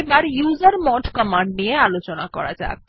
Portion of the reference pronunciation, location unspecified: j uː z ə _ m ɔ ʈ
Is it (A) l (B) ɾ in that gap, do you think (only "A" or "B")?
B